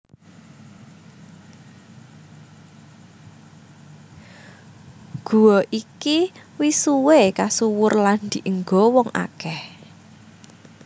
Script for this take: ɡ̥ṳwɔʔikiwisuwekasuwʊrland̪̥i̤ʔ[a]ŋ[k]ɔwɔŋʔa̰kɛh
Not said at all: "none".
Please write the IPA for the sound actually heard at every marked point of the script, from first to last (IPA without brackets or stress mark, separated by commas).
ə, ɡ